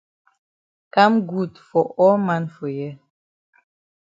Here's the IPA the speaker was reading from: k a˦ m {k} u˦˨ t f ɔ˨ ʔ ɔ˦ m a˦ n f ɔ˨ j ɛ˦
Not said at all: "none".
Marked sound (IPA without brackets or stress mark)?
ɡ